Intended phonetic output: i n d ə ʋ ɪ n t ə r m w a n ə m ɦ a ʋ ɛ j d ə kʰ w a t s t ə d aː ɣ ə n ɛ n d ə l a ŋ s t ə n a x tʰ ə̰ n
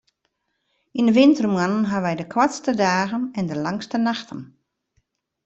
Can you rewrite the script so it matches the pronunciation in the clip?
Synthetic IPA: i n d ə ʋ ɪ n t ə r m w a n ə n ɦ a ʋ ɛ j d ə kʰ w a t s t ə d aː ɣ ə n ɛ n d ə l a ŋ s t ə n a x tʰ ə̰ n